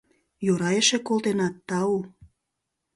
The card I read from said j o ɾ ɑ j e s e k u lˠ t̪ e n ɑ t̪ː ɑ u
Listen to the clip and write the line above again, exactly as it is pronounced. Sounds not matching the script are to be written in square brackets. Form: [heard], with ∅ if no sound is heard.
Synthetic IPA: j o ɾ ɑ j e [ʃ] e k [o] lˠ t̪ e n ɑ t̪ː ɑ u